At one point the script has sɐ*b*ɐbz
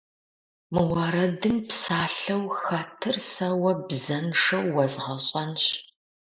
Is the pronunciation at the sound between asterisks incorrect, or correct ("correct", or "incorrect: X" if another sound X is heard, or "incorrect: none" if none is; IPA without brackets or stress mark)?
incorrect: w